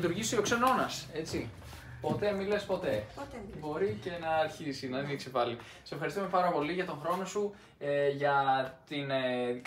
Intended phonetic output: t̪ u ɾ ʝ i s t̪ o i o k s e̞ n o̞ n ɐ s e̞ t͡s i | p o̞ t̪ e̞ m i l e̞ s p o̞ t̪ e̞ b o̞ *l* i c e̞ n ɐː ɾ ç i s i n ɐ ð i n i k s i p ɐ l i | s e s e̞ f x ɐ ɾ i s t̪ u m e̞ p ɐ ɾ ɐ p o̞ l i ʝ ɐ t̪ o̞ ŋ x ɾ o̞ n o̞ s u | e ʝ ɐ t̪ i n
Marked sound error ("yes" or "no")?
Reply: yes